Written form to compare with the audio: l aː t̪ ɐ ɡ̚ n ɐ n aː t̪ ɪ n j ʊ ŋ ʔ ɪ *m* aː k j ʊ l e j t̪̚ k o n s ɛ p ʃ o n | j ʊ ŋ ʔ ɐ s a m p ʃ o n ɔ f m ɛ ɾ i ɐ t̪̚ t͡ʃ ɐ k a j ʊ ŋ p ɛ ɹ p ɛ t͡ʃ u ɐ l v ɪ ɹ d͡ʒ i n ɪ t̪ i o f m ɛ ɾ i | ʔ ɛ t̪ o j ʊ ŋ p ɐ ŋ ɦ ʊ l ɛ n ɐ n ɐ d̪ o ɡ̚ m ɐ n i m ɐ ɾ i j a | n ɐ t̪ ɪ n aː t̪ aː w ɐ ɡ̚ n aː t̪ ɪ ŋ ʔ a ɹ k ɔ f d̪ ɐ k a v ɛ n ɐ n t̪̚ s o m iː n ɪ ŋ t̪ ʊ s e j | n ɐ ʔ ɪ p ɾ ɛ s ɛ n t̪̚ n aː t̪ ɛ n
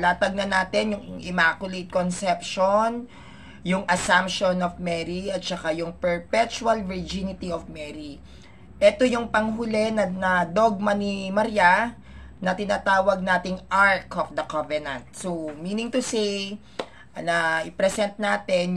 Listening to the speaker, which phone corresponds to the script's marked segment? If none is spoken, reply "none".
m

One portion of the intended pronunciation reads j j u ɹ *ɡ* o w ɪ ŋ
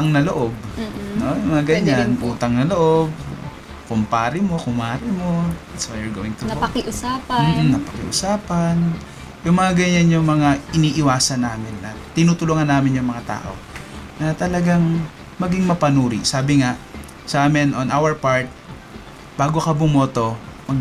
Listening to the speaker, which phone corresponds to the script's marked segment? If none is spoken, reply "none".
ɡ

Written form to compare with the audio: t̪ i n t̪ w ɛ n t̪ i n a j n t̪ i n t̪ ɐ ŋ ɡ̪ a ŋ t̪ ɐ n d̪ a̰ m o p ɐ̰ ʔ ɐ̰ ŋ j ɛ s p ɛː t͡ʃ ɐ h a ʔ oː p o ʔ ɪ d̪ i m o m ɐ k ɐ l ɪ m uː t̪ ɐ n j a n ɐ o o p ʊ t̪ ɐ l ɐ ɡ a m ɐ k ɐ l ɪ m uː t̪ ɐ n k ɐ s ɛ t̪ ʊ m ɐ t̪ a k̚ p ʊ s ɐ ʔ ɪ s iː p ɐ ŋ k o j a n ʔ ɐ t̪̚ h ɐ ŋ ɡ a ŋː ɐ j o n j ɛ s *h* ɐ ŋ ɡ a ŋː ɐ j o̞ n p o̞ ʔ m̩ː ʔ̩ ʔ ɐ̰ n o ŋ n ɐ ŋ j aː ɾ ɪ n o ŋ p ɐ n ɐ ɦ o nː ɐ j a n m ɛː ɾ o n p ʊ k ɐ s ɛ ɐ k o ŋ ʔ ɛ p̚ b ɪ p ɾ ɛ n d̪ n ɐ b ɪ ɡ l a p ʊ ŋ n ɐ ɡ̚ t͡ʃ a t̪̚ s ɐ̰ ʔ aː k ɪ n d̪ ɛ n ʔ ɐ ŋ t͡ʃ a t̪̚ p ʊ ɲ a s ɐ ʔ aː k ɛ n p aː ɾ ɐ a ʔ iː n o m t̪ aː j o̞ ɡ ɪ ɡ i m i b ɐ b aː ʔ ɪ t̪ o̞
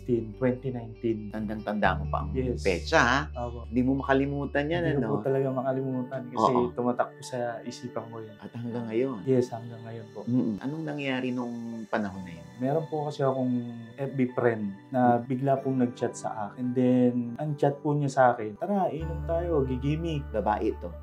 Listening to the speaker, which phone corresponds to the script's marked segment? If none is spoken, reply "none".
h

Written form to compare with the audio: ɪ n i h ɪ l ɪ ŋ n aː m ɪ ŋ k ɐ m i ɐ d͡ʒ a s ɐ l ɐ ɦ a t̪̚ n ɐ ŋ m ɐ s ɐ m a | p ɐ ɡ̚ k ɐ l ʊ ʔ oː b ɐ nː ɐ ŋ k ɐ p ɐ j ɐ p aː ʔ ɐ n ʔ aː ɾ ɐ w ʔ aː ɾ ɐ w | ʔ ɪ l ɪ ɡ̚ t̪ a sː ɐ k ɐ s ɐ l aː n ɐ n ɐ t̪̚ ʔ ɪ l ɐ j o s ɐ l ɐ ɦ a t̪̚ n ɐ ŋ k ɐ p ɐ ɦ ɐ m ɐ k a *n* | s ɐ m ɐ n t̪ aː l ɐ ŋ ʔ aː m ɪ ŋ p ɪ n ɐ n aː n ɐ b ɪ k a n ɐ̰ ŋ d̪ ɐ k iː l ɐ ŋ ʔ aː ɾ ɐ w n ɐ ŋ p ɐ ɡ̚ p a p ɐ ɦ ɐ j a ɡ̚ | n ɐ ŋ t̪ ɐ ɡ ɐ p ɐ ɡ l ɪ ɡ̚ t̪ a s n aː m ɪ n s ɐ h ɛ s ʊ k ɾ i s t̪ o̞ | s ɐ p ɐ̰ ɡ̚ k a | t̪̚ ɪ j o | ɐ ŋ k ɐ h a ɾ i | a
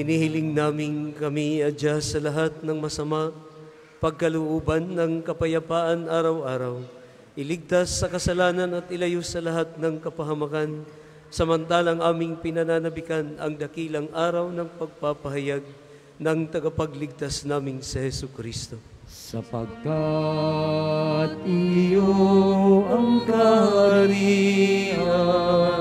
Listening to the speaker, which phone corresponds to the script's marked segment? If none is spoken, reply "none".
n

